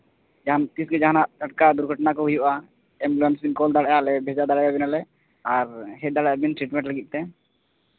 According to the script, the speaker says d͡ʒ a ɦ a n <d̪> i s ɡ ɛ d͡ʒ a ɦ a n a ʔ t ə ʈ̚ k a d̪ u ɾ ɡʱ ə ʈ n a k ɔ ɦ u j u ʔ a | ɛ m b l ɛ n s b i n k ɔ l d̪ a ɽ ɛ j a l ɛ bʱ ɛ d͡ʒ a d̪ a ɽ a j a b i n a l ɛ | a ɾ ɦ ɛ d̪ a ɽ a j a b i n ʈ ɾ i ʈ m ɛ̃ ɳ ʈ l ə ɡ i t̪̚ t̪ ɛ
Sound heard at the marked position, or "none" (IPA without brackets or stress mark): t̪